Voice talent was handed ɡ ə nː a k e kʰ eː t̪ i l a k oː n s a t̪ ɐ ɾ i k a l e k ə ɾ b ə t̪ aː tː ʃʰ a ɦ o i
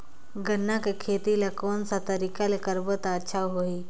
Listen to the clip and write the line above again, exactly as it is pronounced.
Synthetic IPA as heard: ɡ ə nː a k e kʰ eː t̪ i l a k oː n s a t̪ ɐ ɾ i k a l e k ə ɾ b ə t̪ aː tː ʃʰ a ɦ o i